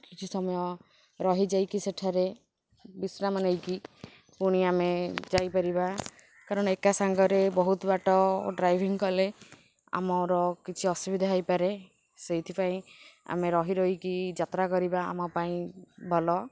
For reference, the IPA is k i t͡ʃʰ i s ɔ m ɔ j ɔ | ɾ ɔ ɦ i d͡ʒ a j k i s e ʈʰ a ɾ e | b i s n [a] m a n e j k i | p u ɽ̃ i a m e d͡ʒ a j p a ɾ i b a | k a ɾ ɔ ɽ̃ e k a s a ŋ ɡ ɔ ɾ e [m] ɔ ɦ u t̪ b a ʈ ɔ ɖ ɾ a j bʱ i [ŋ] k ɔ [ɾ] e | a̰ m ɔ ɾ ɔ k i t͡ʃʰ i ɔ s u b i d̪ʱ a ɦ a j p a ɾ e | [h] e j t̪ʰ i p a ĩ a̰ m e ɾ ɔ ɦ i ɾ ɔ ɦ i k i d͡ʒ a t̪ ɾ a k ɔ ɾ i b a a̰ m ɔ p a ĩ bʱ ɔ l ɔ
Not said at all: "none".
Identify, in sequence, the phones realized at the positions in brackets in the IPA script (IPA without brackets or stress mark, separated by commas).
a, b, ŋ, l, s